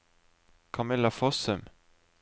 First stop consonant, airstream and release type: aspirated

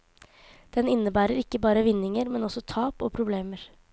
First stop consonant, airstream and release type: plain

